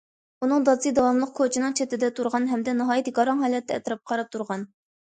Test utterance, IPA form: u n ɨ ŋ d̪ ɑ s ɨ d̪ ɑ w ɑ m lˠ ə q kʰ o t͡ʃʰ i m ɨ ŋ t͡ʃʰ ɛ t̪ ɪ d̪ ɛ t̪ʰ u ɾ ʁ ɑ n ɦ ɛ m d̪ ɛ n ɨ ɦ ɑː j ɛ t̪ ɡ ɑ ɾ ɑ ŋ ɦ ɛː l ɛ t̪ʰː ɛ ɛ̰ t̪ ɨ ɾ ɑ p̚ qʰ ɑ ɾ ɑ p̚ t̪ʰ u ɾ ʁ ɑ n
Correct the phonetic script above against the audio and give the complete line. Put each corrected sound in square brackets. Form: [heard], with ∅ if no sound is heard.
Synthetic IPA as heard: u n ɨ ŋ d̪ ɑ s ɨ d̪ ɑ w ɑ m lˠ ə q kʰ o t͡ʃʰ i [n] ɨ ŋ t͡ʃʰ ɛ t̪ ɪ d̪ ɛ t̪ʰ u ɾ ʁ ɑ n ɦ ɛ m d̪ ɛ n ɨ ɦ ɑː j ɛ t̪ ɡ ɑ ɾ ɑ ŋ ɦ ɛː l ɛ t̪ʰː ɛ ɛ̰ t̪ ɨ ɾ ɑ p̚ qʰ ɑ ɾ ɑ p̚ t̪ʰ u ɾ ʁ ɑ n